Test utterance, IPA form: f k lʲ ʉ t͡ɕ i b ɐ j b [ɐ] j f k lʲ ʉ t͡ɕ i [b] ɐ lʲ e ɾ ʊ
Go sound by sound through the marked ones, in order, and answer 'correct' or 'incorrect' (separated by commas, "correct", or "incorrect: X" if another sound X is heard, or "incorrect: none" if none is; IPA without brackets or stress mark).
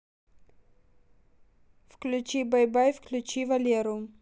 incorrect: a, incorrect: v